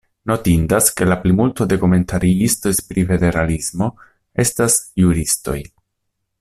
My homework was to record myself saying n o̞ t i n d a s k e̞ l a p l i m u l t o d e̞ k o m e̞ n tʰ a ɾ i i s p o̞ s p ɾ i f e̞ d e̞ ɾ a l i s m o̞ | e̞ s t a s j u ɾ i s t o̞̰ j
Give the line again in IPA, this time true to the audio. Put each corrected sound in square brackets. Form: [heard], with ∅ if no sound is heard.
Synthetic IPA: n o̞ t i n d a s k e̞ l a p l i m u l t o d e̞ k o m e̞ n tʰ a ɾ i i s [t] o̞ s p ɾ i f e̞ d e̞ ɾ a l i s m o̞ | e̞ s t a s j u ɾ i s t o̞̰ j